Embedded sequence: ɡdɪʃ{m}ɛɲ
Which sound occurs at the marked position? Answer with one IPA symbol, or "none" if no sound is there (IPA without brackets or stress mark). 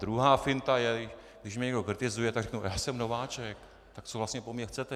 m